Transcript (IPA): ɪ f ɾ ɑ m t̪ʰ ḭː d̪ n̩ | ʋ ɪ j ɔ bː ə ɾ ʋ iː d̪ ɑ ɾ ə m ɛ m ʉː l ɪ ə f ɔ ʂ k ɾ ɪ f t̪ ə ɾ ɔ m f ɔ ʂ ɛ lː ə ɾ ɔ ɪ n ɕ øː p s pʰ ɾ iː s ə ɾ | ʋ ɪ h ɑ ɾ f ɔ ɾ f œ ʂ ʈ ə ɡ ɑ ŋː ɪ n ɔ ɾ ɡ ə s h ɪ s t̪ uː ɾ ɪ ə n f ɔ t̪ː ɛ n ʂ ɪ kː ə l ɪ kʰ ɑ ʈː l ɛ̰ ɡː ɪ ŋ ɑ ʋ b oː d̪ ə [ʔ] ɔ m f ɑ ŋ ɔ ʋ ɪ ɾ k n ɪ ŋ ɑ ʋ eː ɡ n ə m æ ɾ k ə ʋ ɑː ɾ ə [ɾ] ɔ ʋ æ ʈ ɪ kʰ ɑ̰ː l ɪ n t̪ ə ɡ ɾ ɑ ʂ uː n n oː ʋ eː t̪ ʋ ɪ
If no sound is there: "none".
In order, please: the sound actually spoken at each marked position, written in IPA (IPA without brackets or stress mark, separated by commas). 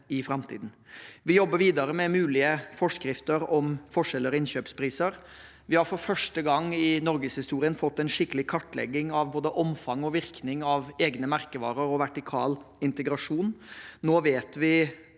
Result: ʔ, ɾ